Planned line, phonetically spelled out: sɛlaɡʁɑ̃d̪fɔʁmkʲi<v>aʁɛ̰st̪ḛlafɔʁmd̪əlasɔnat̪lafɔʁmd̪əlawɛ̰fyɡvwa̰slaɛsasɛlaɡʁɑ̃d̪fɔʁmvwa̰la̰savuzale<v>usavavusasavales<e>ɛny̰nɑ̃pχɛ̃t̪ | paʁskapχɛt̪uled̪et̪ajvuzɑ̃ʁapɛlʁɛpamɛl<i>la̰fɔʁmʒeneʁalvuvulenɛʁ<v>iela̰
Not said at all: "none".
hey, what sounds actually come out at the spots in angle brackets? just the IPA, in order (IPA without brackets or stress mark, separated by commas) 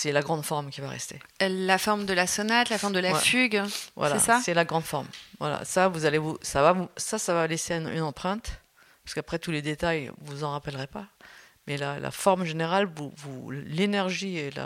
v, v, e, a, ʒ